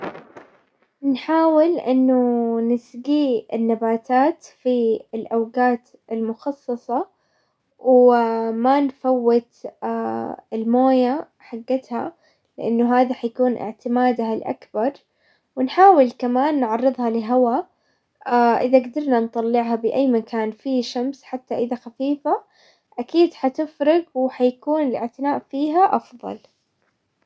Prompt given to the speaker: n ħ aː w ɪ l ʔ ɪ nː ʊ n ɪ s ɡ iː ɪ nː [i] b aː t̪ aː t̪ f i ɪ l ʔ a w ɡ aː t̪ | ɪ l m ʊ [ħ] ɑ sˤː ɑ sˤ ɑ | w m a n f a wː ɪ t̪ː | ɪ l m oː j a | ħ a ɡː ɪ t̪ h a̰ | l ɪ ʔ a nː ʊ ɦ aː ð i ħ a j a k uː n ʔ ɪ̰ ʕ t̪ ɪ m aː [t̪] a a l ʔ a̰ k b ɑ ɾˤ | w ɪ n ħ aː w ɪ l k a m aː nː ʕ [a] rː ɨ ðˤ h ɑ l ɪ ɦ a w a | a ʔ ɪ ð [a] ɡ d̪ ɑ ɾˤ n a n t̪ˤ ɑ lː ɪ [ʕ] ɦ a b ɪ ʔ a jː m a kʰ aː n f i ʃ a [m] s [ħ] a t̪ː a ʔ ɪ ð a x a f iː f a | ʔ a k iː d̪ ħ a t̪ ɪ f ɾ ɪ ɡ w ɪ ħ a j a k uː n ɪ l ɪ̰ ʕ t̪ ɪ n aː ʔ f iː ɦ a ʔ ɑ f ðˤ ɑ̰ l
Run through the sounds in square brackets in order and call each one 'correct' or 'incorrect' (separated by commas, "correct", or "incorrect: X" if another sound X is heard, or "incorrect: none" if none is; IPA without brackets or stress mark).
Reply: incorrect: a, incorrect: x, incorrect: d̪, incorrect: ɑ, correct, correct, correct, correct